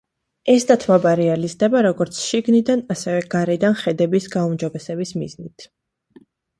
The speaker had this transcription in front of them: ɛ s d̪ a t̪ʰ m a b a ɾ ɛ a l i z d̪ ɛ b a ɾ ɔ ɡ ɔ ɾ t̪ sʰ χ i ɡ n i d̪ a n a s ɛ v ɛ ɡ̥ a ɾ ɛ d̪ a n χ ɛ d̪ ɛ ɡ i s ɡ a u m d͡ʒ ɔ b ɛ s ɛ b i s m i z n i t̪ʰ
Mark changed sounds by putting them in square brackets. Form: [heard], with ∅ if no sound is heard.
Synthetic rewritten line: ɛ s d̪ a t̪ʰ m a b a ɾ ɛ a l i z d̪ ɛ b a ɾ ɔ ɡ ɔ ɾ t̪ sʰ [ʃ] i ɡ n i d̪ a n a s ɛ v ɛ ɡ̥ a ɾ ɛ d̪ a n χ ɛ d̪ ɛ [b] i s ɡ a u m d͡ʒ ɔ b ɛ s ɛ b i s m i z n i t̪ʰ